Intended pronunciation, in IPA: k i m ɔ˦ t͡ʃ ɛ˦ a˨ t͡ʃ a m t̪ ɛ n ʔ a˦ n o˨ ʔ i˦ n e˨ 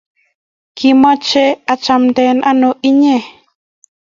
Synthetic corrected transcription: k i m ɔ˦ t͡ʃ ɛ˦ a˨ t͡ʃ a m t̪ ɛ n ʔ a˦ n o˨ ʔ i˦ ɲ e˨